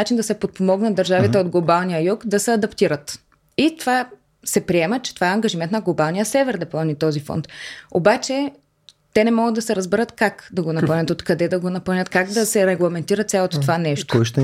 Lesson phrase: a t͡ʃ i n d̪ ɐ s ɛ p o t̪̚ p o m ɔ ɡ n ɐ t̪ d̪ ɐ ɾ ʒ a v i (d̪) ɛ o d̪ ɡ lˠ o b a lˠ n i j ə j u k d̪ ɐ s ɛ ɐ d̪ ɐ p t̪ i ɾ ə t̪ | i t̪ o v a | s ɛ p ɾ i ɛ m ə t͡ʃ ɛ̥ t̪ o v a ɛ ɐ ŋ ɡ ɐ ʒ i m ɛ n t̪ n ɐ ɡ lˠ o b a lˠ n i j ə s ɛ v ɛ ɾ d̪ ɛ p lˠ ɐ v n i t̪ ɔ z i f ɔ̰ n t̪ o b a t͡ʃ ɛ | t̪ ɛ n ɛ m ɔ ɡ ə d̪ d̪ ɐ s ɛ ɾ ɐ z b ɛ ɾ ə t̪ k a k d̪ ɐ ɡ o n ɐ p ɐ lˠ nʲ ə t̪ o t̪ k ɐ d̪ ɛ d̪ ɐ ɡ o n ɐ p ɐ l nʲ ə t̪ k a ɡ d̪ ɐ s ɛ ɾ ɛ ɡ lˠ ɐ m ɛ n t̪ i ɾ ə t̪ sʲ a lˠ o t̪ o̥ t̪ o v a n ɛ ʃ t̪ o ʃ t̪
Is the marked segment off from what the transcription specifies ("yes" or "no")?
yes